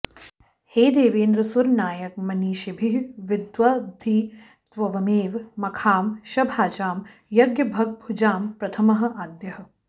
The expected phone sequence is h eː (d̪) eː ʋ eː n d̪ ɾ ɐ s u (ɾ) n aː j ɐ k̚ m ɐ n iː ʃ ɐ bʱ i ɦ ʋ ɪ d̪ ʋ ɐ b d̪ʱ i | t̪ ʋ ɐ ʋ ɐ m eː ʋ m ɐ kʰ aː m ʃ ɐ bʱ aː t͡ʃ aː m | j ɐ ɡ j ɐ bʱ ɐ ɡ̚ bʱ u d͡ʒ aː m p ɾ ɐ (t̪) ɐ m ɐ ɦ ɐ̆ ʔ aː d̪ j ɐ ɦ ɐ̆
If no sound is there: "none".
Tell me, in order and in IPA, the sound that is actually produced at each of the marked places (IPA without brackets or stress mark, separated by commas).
d̪, ɾ, t̪ʰ